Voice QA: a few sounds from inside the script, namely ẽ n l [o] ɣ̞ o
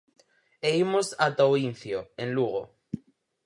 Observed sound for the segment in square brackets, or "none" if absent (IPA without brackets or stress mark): u